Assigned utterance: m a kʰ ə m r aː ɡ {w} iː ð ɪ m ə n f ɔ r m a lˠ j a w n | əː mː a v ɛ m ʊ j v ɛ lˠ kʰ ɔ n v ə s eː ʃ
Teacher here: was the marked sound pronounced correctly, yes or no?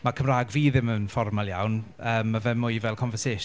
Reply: no